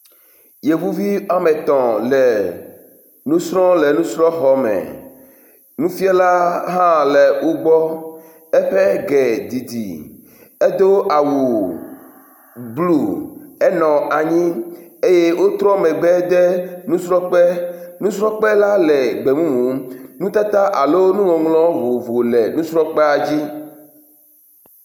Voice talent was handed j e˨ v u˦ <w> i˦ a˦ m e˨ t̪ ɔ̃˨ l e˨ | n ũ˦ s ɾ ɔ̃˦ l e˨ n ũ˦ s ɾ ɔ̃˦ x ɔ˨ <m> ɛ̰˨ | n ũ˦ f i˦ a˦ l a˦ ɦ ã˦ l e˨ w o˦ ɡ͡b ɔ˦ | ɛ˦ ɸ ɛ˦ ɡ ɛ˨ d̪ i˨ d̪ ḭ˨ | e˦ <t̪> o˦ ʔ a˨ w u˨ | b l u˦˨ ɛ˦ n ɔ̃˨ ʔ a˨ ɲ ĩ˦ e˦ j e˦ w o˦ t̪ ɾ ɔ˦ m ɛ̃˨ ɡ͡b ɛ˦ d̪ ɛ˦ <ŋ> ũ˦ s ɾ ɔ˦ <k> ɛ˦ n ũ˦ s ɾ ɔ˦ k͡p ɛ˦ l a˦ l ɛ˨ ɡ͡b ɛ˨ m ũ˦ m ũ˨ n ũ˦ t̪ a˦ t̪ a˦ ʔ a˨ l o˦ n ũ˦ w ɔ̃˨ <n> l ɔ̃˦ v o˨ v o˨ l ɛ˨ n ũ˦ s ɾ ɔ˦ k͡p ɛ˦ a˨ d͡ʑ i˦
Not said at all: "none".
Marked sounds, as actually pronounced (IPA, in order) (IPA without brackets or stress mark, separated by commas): v, m, d̪, n, k͡p, ŋ